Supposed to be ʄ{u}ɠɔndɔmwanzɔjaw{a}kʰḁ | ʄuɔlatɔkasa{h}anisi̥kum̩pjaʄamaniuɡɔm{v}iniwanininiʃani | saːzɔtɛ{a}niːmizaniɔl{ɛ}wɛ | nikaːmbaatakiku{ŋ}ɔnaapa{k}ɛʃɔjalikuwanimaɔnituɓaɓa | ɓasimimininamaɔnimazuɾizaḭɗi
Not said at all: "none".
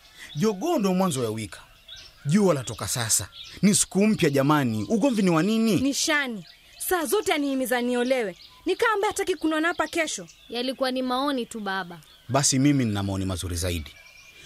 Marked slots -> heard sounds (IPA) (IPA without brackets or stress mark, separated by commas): ɔ, i, s, v, a, ɛ, n, k